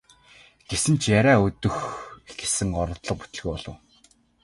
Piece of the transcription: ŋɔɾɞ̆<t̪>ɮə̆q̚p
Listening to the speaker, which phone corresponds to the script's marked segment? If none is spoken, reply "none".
t̪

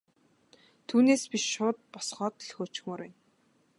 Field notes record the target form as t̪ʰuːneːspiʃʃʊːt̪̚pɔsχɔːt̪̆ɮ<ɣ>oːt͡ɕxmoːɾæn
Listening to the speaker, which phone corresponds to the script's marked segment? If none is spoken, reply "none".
x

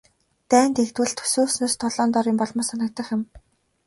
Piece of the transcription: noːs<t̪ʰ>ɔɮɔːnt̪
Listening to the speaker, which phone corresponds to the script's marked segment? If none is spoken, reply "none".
t̪ʰ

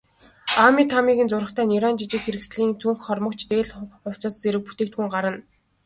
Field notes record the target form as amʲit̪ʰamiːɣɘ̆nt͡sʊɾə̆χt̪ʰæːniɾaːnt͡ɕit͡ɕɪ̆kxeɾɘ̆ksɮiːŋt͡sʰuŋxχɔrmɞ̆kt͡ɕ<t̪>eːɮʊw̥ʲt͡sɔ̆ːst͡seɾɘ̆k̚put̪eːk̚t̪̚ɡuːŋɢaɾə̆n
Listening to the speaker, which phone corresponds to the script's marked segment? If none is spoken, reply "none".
t̪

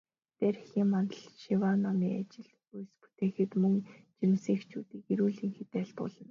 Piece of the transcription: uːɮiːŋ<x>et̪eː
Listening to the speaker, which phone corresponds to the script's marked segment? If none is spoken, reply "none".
x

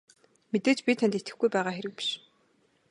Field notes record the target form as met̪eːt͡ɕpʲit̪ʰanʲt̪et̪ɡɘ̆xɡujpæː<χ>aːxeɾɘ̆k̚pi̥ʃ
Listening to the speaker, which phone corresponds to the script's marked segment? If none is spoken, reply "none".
ʁ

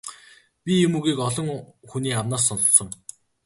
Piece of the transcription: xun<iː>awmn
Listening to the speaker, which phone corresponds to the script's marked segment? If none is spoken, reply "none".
iː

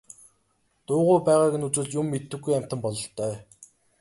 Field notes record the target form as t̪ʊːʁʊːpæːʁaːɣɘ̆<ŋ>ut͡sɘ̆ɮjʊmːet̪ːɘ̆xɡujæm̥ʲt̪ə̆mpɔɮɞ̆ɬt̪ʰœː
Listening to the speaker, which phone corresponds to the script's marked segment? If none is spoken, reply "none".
n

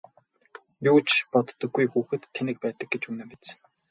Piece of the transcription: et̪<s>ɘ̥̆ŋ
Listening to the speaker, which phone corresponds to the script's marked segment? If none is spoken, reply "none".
s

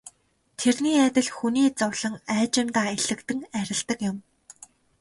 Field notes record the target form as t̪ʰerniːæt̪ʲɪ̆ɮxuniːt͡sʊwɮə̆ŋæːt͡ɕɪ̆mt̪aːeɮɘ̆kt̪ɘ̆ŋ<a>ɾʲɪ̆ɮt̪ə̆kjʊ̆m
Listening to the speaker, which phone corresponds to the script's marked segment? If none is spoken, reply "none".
æ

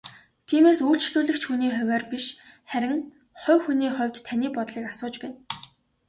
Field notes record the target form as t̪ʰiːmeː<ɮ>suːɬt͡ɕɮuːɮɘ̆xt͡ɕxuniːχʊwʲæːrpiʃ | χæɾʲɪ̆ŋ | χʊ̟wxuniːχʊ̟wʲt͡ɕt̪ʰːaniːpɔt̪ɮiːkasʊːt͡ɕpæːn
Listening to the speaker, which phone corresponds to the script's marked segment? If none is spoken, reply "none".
none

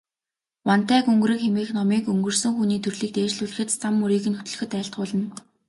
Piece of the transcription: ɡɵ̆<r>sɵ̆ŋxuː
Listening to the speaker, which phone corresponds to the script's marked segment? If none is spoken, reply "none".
r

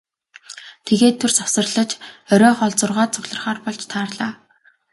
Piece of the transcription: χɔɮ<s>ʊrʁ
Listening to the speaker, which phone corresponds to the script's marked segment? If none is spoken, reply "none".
t͡s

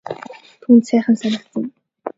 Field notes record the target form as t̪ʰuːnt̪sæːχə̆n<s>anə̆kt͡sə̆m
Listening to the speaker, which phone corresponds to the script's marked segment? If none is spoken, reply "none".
s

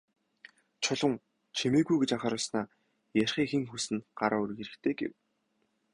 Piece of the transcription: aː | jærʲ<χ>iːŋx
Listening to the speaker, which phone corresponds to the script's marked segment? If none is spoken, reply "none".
χ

